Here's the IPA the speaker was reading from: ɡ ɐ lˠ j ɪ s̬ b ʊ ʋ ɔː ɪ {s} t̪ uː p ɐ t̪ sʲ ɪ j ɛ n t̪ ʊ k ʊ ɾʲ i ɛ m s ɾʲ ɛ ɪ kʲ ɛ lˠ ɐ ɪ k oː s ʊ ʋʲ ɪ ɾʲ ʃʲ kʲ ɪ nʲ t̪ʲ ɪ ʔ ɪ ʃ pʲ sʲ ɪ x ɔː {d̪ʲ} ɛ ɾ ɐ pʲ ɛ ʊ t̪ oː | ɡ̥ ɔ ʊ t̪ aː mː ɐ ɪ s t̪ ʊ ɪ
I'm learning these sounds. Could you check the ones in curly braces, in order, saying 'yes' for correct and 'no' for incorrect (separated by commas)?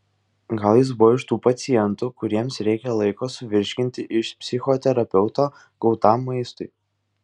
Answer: no, no